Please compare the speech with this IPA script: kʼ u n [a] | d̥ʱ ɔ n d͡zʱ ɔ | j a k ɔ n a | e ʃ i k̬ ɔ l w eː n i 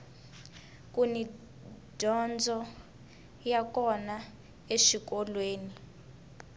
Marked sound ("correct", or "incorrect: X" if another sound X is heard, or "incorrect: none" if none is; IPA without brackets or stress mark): incorrect: i